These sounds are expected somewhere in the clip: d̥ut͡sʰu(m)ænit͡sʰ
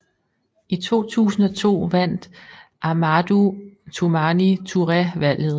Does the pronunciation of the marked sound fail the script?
no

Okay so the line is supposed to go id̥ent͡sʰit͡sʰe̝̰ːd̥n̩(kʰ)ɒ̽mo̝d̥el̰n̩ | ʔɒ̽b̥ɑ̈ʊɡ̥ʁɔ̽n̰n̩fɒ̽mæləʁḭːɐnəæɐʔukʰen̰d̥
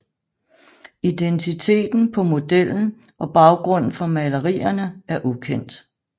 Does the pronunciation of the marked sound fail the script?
yes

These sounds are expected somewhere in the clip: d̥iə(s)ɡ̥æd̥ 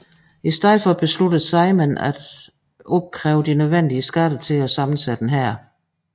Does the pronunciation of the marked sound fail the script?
no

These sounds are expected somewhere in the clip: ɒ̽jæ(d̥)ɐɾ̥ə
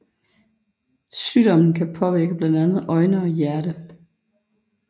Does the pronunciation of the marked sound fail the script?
yes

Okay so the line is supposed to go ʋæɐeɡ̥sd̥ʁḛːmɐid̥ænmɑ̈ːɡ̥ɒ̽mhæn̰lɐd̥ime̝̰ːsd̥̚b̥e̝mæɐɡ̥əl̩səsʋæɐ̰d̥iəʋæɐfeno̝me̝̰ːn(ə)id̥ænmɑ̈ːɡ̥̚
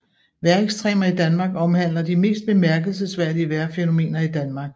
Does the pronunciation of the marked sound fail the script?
yes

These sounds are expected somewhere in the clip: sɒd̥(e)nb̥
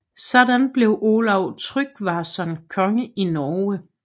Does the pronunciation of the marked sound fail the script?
yes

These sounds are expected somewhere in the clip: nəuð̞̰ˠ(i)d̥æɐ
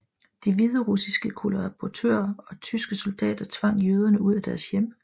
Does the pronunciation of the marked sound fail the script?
yes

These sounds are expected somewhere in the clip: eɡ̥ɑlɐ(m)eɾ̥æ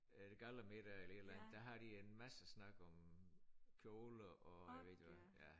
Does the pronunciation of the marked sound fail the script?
no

